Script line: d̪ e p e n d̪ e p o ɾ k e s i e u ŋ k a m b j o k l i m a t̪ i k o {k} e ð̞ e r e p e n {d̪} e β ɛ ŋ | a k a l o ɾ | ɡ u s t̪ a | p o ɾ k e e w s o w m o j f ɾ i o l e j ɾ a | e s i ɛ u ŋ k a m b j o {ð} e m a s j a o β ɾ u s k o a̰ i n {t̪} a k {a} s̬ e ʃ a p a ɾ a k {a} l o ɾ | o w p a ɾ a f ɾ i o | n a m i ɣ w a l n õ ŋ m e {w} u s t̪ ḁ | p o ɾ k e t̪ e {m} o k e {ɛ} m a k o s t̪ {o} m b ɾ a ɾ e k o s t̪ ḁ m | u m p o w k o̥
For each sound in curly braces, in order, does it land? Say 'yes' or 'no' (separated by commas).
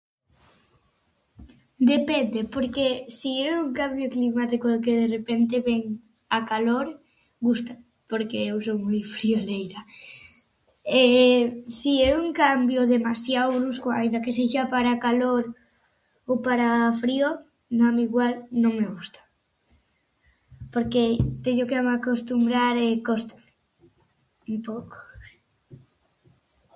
yes, no, yes, no, no, yes, no, no, no, no